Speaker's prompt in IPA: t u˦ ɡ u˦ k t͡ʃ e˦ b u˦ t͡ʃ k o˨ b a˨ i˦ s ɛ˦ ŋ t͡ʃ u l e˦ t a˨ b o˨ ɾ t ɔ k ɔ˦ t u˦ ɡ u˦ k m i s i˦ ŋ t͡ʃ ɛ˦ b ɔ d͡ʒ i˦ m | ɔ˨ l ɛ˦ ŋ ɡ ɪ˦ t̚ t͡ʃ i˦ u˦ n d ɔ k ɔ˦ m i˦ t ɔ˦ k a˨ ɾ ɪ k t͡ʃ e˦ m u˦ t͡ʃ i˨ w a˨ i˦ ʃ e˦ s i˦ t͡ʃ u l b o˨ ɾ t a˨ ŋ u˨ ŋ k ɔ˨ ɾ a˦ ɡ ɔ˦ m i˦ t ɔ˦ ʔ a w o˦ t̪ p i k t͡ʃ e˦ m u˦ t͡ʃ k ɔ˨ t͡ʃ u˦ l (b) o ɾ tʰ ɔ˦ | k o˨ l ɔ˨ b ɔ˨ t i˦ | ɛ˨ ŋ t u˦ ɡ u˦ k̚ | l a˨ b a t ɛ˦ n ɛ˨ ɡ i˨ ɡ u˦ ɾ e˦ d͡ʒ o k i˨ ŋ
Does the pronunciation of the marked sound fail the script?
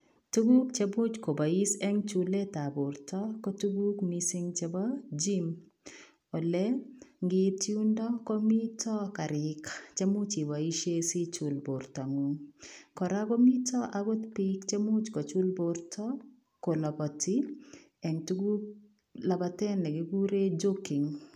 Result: no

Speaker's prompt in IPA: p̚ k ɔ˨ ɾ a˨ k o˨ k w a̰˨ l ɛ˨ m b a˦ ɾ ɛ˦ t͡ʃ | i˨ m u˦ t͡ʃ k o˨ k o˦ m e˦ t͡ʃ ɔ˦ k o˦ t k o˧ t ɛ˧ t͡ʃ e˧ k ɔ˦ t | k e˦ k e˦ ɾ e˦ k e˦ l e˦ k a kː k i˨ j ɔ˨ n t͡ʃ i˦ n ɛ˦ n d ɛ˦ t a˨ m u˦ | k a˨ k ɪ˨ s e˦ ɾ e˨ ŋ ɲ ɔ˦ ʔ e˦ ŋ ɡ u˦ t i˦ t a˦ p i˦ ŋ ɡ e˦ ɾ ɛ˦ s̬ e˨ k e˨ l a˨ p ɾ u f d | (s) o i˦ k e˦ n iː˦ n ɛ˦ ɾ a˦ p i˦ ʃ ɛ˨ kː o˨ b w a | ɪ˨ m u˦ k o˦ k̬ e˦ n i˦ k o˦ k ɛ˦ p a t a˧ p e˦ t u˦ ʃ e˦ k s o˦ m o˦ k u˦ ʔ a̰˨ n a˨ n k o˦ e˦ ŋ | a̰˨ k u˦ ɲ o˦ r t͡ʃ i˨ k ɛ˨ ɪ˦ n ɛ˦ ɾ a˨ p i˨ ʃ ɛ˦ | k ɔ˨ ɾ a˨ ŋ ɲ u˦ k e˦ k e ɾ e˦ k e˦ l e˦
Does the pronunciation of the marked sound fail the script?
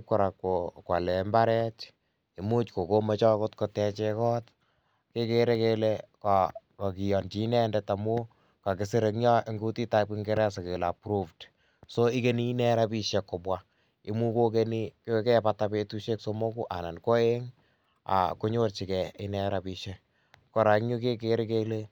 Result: no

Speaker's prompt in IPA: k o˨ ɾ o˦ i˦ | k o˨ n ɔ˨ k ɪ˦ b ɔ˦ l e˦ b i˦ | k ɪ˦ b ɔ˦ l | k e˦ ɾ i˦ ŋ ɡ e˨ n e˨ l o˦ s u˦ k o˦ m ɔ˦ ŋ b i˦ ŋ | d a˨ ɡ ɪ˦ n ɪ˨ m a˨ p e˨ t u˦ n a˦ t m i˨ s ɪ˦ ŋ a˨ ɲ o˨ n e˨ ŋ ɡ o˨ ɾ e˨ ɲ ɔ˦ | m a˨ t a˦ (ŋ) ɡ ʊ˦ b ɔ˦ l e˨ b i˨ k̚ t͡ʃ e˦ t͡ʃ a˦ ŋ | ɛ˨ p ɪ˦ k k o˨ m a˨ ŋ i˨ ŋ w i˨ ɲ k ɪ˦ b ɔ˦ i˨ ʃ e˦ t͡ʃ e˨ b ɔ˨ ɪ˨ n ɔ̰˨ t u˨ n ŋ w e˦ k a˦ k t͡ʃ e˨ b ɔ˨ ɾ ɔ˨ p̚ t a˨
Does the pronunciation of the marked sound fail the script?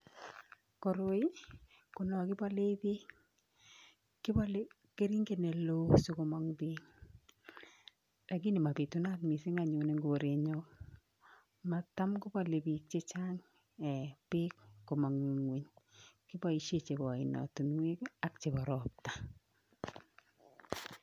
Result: yes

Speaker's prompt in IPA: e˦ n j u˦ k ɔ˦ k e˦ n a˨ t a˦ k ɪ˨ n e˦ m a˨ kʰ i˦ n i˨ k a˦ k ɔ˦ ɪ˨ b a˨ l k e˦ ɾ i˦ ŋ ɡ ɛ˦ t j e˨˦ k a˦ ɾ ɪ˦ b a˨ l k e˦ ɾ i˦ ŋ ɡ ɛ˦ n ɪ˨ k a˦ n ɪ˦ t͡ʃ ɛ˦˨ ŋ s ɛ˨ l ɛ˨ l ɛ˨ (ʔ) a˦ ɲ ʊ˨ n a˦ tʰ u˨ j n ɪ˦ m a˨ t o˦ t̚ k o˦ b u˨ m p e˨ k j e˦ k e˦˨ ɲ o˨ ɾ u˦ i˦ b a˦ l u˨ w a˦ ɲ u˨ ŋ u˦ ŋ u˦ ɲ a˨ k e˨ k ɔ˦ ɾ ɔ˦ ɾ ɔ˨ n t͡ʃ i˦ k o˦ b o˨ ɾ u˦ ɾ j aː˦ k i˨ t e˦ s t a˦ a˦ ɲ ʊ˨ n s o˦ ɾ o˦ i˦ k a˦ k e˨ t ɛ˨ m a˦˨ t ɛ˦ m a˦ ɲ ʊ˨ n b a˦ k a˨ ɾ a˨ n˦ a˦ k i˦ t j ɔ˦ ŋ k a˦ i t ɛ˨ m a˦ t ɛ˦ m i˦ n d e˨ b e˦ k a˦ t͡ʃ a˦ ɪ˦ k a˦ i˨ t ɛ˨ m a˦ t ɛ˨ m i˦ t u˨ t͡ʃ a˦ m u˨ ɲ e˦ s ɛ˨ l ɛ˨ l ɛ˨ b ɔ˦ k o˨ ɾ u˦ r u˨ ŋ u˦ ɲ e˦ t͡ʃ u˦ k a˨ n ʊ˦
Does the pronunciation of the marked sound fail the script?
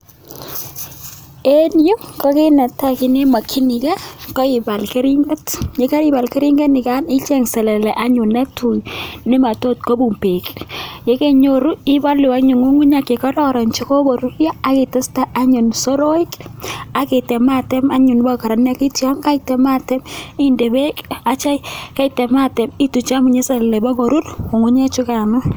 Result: no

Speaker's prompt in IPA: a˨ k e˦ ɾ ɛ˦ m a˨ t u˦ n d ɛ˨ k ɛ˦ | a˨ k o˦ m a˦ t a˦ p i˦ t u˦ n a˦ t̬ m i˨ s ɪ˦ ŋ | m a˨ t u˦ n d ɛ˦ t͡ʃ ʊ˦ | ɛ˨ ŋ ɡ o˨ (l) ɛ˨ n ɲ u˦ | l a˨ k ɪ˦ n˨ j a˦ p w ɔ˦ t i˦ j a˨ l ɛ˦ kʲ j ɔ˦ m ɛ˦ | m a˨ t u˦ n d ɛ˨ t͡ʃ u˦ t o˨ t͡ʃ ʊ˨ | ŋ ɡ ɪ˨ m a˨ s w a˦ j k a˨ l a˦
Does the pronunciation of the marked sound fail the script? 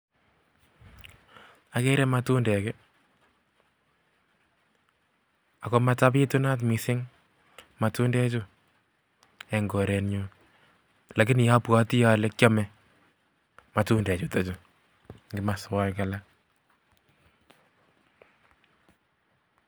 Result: yes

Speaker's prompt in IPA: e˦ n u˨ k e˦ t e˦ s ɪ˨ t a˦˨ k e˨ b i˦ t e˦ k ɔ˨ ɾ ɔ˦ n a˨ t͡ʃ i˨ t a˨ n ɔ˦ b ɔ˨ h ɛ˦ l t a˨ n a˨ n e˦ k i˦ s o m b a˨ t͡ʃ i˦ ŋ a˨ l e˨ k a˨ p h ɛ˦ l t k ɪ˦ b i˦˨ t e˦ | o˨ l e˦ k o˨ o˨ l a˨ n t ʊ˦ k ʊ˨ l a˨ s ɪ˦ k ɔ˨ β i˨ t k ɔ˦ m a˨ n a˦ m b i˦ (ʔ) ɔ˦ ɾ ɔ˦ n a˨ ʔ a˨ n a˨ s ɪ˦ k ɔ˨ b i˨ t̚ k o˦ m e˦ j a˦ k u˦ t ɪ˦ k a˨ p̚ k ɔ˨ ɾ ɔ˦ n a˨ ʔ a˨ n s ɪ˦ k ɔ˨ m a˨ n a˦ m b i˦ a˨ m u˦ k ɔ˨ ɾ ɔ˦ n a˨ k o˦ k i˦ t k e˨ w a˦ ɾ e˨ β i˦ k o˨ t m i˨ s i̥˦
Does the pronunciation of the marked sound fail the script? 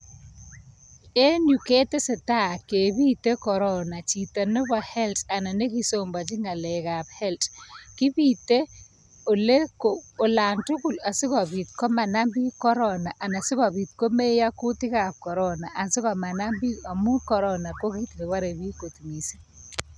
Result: yes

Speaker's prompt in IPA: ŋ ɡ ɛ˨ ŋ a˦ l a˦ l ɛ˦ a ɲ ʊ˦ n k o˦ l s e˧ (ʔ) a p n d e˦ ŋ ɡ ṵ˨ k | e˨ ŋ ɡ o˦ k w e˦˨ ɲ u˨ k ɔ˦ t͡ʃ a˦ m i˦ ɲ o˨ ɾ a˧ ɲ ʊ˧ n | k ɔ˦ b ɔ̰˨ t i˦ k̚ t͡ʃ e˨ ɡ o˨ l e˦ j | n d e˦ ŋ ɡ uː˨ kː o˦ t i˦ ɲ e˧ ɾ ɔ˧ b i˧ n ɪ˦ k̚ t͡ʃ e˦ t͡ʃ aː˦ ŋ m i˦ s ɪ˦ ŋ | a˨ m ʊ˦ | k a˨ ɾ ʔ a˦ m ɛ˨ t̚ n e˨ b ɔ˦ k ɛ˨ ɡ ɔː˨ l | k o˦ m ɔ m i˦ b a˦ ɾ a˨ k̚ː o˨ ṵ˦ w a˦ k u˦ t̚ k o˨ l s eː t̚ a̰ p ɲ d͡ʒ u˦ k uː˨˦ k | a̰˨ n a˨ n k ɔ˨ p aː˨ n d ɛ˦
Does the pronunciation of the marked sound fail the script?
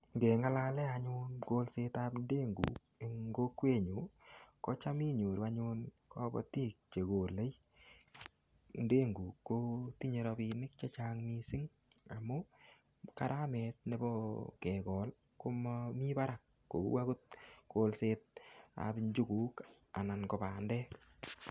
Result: yes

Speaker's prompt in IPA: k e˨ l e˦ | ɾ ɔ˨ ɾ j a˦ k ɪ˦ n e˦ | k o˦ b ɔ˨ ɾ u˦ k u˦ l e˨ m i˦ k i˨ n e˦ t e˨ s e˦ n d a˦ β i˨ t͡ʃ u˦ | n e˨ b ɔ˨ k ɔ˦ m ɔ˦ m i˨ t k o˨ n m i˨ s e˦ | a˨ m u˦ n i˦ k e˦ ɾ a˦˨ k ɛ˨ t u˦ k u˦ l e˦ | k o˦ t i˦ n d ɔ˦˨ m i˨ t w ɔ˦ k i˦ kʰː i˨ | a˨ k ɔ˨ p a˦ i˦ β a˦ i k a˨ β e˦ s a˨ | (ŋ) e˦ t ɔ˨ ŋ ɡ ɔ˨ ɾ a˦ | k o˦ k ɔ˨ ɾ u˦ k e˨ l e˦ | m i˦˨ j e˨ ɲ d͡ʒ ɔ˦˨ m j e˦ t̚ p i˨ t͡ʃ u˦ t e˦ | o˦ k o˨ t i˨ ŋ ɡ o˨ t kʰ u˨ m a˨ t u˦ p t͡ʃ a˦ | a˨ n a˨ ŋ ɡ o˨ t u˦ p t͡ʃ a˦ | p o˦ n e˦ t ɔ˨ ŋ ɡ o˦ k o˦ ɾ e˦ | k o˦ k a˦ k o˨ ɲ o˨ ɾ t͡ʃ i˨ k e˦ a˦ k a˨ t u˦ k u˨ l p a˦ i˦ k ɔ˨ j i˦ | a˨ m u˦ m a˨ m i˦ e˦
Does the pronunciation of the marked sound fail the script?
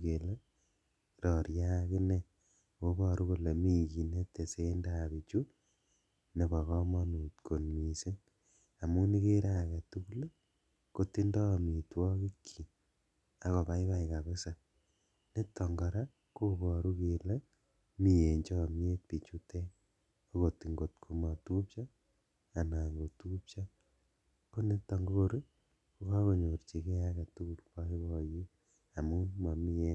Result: yes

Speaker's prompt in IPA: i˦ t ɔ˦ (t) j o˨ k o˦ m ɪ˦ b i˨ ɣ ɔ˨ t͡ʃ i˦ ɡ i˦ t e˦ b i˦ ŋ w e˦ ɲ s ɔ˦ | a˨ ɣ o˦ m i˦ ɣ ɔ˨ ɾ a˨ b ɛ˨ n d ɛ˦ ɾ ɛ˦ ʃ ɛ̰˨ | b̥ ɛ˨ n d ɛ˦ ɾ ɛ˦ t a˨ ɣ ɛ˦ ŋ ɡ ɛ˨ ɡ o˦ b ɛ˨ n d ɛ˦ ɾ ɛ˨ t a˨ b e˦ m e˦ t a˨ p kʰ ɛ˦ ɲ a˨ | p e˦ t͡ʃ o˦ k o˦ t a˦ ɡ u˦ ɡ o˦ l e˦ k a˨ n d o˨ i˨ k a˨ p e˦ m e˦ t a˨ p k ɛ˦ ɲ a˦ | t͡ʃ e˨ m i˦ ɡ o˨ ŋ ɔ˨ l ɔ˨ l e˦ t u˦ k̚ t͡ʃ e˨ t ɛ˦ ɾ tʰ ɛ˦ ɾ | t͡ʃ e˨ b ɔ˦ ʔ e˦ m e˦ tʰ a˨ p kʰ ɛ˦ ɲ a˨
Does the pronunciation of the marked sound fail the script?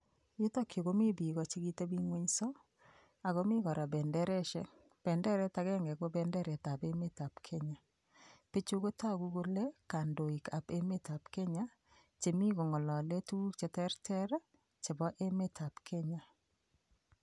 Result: yes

